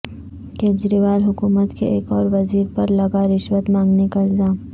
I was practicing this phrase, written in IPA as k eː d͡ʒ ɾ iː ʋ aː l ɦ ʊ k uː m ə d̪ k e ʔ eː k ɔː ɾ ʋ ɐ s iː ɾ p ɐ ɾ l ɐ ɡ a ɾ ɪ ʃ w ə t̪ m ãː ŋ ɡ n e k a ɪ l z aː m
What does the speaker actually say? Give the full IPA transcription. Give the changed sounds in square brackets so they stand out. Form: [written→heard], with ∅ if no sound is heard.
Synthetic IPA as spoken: k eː d͡ʒ ɾ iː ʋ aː l ɦ ʊ k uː m ə [d̪→t̪] k e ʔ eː k ɔː ɾ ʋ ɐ [s→z] iː ɾ p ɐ ɾ l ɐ ɡ a ɾ ɪ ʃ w ə t̪ m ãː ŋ ɡ n e k a ɪ l z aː m